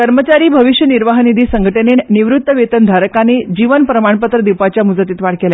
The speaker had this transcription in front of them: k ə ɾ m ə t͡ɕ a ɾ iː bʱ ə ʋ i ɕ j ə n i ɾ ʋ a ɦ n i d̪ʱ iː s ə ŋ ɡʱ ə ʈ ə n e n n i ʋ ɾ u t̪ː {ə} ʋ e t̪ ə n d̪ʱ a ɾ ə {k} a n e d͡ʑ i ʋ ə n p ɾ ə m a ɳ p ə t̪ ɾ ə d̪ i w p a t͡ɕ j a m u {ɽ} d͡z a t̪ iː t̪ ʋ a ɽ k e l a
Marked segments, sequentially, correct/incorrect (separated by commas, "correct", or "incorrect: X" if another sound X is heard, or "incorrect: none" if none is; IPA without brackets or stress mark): correct, correct, incorrect: none